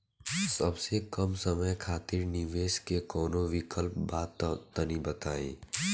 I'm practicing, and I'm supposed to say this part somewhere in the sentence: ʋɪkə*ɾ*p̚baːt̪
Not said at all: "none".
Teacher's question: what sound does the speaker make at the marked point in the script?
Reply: l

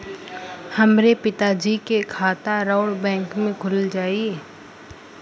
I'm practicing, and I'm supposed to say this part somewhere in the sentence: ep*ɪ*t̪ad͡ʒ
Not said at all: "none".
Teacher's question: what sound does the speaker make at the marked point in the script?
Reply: ɪ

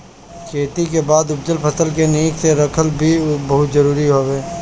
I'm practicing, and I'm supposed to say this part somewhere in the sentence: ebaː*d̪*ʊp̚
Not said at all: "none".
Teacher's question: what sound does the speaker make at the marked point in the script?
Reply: d̪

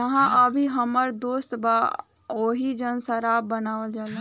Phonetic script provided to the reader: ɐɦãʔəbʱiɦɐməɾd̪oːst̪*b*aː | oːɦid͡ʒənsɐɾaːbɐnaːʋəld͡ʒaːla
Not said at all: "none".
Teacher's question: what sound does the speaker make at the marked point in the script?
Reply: b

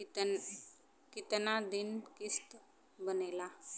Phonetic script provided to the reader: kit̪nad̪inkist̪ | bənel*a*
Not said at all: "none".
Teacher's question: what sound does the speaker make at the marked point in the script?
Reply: a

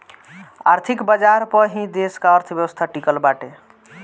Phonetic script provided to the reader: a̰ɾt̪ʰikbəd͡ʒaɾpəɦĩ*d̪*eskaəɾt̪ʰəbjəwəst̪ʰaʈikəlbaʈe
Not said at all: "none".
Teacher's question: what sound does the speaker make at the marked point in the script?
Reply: d̪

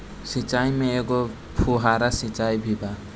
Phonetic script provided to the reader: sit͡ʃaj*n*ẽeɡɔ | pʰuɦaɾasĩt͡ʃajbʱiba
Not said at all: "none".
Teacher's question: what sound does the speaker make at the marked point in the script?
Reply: m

